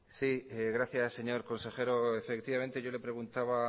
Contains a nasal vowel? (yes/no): no